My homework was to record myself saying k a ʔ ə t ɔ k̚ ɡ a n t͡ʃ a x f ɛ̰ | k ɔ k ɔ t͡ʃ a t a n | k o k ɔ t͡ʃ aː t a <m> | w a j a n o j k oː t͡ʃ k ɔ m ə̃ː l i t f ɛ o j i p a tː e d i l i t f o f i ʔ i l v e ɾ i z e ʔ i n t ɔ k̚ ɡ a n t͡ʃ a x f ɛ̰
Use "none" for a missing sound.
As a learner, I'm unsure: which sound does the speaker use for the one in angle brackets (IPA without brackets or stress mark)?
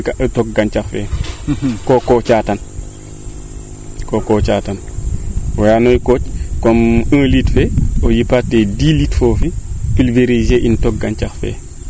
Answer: n